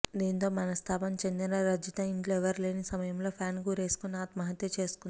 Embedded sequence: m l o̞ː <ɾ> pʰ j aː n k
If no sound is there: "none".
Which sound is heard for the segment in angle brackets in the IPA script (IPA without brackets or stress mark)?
none